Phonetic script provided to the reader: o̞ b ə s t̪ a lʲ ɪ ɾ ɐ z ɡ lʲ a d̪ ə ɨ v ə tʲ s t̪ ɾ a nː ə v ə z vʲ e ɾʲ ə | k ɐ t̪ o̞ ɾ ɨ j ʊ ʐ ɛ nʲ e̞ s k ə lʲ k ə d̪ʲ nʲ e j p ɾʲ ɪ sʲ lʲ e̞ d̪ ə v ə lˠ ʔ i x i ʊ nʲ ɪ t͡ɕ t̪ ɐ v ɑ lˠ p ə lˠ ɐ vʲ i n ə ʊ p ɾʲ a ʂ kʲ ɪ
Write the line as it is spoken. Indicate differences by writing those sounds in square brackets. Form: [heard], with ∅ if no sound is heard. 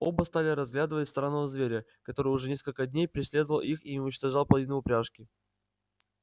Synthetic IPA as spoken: o̞ b ə s t̪ a lʲ ɪ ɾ ɐ z ɡ lʲ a d̪ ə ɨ v ə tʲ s t̪ ɾ a nː ə v ə z vʲ e ɾʲ ə | k ɐ t̪ o̞ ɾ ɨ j ʊ ʐ ɛ nʲ e̞ s k ə lʲ k ə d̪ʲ nʲ e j p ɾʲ ɪ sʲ lʲ e̞ d̪ ə v ə lˠ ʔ i x i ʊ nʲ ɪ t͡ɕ t̪ ɐ [ʐ] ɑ lˠ p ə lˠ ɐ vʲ i n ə ʊ p ɾʲ a ʂ kʲ ɪ

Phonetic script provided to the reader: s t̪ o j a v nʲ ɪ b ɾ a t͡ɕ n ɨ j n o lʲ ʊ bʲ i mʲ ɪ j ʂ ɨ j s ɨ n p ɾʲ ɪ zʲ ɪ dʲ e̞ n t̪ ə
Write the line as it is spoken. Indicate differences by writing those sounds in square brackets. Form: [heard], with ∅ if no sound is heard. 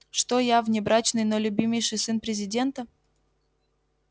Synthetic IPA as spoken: [ʂ] t̪ o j a v nʲ ɪ b ɾ a t͡ɕ n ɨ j n o lʲ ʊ bʲ i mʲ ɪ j ʂ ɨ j s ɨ n p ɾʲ ɪ zʲ ɪ dʲ e̞ n t̪ ə

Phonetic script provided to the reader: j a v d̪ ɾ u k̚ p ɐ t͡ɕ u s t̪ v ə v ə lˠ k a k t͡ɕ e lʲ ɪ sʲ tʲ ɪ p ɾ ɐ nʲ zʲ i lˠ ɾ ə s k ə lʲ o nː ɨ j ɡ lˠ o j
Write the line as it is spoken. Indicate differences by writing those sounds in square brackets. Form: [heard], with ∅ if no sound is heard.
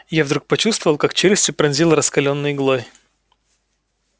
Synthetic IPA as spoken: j a v d̪ ɾ u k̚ p ɐ t͡ɕ u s t̪ v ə v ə lˠ k a k t͡ɕ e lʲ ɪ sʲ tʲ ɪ p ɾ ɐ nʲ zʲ i lˠ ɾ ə s k [ɐ] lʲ o nː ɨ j ɡ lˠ o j

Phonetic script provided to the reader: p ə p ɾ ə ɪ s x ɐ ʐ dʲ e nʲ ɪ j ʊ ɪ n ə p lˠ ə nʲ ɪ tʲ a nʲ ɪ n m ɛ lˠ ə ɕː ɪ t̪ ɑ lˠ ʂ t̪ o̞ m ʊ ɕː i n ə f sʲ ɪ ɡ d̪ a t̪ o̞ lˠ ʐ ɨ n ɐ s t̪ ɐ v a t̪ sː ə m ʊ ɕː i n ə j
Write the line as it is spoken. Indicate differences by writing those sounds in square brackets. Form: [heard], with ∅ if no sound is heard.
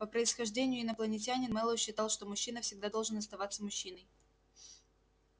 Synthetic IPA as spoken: p ə p ɾ ə ɪ s x ɐ ʐ dʲ e nʲ ɪ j ʊ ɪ n ə p lˠ ə nʲ ɪ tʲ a nʲ ɪ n m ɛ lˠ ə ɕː ɪ t̪ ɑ lˠ ʂ t̪ o̞ m ʊ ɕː i n ə f sʲ ɪ ɡ d̪ a [d̪] o̞ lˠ ʐ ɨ n ɐ s t̪ ɐ v a t̪ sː ə m ʊ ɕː i n ə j

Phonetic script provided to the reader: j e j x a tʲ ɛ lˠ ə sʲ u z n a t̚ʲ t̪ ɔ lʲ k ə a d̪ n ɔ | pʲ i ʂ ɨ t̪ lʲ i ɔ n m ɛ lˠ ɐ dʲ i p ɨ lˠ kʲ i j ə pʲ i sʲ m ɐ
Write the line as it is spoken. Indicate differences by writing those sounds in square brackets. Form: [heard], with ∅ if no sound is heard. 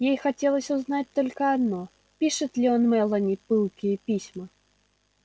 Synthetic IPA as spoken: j e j x a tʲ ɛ lˠ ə sʲ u z n a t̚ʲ t̪ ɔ lʲ k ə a d̪ n ɔ | pʲ i ʂ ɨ t̪ lʲ i ɔ n m ɛ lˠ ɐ [nʲ] i p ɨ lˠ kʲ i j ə pʲ i sʲ m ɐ

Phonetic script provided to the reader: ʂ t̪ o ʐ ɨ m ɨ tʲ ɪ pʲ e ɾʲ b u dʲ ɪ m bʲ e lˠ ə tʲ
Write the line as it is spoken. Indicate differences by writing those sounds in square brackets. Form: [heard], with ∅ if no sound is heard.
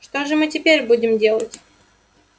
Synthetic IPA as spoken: ʂ t̪ o ʐ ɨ m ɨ tʲ ɪ pʲ e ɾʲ b u dʲ ɪ m [dʲ] e lˠ ə tʲ

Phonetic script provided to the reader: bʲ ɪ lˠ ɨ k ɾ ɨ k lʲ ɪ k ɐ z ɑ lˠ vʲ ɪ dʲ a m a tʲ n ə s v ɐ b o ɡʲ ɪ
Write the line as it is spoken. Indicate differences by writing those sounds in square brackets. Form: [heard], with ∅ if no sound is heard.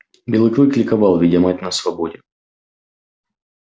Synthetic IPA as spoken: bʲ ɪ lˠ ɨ k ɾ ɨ k lʲ ɪ k ɐ [v] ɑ lˠ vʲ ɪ dʲ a m a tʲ n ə s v ɐ b o [dʲ] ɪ

